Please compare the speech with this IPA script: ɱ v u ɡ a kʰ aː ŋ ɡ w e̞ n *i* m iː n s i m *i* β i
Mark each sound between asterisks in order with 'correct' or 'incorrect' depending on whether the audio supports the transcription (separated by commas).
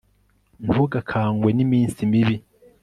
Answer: correct, correct